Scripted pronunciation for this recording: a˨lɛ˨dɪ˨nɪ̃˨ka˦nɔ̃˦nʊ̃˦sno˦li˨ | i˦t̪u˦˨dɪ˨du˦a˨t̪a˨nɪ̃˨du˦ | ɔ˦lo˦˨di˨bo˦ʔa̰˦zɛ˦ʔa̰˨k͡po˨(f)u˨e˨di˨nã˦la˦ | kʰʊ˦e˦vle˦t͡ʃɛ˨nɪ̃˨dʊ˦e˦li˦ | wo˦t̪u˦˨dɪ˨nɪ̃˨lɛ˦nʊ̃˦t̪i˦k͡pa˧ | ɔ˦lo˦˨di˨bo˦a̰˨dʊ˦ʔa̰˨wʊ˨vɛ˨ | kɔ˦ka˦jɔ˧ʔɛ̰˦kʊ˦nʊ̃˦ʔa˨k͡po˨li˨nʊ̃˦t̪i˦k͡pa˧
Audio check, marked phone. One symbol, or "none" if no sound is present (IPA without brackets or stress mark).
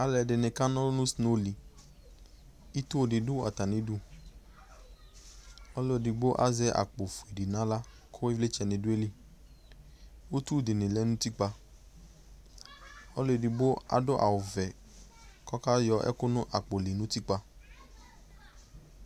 f